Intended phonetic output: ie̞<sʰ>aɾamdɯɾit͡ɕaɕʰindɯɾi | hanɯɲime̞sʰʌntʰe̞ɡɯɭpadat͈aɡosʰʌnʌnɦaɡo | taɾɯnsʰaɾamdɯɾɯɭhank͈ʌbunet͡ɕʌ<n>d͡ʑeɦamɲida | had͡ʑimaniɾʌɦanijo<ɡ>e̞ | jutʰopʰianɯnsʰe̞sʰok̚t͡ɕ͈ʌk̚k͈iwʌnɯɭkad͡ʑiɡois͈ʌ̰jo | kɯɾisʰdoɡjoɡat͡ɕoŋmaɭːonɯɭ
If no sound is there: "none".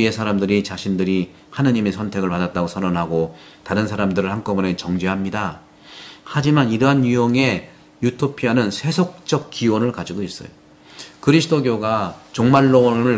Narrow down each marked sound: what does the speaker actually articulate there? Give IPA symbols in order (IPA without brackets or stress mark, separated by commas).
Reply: sʰ, ŋ, ŋ